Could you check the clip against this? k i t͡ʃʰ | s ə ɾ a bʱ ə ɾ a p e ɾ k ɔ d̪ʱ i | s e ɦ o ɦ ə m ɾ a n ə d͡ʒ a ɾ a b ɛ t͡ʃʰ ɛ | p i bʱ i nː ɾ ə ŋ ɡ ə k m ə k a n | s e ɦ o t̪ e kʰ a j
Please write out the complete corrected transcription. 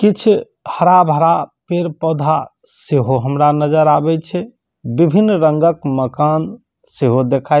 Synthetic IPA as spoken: k i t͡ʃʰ | h ə ɾ a bʱ ə ɾ a p e ɾ p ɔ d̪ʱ a | s e ɦ o ɦ ə m ɾ a n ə d͡ʒ ə ɾ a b ɛ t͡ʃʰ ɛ | b i bʱ i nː ɾ ə ŋ ɡ ə k m ə k a n | s e ɦ o d̪ e kʰ a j